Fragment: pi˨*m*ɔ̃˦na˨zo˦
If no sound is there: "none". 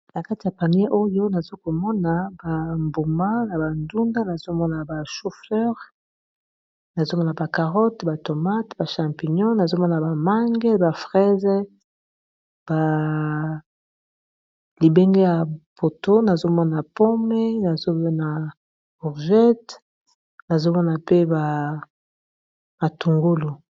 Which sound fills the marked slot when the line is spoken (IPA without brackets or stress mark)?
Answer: ɲ